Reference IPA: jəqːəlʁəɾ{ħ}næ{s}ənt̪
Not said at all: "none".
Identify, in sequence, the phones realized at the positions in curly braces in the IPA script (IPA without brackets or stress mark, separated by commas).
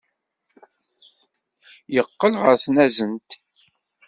θ, z